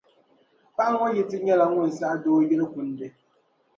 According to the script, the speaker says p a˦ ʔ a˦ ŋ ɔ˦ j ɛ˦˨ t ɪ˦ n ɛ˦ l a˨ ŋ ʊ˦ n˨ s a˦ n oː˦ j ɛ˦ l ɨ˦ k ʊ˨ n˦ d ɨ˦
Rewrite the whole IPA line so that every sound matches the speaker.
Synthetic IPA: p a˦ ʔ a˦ ŋ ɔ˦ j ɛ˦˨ t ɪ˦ ɲ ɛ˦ l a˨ ŋ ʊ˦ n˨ s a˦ d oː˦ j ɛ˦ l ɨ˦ k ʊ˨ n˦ d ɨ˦